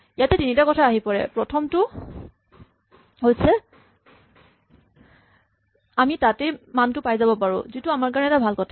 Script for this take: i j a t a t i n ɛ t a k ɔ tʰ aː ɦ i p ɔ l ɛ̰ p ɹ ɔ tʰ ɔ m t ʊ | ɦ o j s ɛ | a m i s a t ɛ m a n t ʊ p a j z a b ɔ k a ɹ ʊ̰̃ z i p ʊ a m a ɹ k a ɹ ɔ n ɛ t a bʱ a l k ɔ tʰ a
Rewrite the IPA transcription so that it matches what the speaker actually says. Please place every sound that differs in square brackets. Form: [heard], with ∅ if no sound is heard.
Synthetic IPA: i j a t [ɛ] t i n [i] t a k ɔ tʰ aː ɦ i p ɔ [ɹ] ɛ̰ p ɹ ɔ tʰ ɔ m t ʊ | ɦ o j s ɛ | a m i [t] a t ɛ m a n t ʊ p a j z a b ɔ [p] a ɹ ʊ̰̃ z i [t] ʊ a m a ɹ k a ɹ ɔ n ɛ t a bʱ a l k ɔ tʰ a